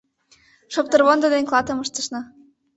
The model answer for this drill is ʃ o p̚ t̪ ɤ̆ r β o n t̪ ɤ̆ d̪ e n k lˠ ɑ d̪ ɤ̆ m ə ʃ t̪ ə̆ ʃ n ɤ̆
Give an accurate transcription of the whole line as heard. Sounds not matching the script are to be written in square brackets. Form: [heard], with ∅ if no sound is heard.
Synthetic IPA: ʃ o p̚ t̪ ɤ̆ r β o n [d̪] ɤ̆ d̪ e n k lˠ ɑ [t̪] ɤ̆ m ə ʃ t̪ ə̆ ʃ n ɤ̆